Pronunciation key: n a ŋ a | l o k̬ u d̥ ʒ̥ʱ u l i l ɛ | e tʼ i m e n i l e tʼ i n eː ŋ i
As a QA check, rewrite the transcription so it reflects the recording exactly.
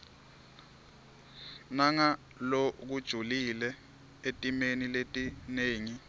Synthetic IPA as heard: n a ŋ a | l o k̬ u d̥ ʒ̥ʱ u l i l ɛ | e tʼ i m e n i l e tʼ i n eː ŋ i